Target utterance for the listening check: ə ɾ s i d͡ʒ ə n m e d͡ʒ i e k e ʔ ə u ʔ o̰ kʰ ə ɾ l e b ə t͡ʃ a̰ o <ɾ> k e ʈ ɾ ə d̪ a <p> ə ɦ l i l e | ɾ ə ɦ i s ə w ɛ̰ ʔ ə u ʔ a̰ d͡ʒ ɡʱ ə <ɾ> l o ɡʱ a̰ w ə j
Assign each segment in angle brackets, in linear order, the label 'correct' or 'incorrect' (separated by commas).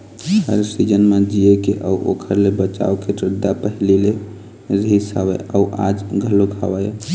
incorrect, correct, incorrect